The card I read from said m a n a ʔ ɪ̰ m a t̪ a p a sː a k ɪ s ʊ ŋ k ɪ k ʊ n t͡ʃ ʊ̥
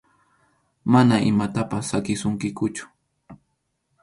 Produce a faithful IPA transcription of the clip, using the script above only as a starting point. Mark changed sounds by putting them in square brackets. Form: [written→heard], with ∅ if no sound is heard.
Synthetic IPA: m a n a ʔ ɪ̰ m a t̪ a p a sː a k ɪ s ʊ ŋ k ɪ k ʊ [n→∅] t͡ʃ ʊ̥